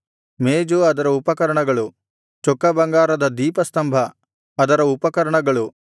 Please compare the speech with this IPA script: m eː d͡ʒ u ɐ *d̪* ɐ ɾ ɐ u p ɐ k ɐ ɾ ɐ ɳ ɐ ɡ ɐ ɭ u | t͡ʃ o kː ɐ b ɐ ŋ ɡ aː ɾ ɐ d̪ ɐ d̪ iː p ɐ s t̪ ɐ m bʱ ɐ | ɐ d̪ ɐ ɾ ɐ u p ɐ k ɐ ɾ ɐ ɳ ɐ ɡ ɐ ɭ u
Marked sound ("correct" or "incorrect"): correct